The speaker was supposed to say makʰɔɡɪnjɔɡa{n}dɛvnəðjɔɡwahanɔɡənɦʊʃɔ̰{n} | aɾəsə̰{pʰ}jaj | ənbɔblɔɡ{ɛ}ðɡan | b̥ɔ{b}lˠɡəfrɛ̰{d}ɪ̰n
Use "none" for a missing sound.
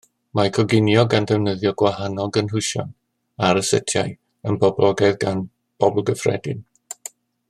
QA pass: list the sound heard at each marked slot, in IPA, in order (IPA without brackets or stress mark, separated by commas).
n, n, tʰ, ɛ, b, d